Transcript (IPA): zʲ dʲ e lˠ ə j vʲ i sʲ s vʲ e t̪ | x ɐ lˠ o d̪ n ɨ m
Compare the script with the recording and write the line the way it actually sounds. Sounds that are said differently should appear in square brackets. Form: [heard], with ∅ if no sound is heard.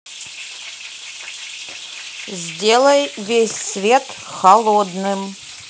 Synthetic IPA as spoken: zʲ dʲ e lˠ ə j vʲ [e] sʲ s vʲ e t̪ | x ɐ lˠ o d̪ n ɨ m